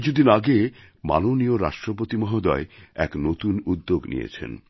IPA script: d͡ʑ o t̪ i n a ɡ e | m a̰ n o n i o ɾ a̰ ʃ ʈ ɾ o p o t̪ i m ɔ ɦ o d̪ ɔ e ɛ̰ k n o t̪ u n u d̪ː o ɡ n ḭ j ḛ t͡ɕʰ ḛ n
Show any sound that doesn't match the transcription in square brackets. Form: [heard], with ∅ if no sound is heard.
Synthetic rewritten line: d͡ʑ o [d̪] i n a ɡ e | m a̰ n o n i o ɾ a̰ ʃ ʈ ɾ o p o t̪ i m ɔ ɦ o d̪ ɔ e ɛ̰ k n o t̪ u n u d̪ː o ɡ n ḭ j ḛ t͡ɕʰ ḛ n